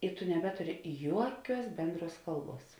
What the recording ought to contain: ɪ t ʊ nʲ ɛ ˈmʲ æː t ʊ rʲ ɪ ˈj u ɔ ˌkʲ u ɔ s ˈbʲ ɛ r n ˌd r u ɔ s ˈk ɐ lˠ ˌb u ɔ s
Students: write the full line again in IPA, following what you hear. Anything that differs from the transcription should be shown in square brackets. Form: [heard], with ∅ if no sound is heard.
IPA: ɪ t ʊ nʲ ɛ [ˈbʲ] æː t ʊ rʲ ɪ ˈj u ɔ ˌkʲ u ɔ s ˈbʲ ɛ [∅] n ˌd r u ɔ s ˈk ɐ lˠ ˌb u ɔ s